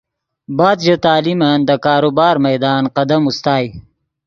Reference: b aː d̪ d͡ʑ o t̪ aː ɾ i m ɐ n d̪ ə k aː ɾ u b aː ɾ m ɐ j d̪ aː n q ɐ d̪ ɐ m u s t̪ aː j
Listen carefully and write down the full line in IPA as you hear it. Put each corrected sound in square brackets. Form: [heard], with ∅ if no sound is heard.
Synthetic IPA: b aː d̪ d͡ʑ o t̪ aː [l] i m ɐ n d̪ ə k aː ɾ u b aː ɾ m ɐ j d̪ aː n q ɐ d̪ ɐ m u s t̪ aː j